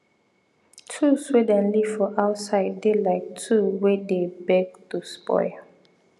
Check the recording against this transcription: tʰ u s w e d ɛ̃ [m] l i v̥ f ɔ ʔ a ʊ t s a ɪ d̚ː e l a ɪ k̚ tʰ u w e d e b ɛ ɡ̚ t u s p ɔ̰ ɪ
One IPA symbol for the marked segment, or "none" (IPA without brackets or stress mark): n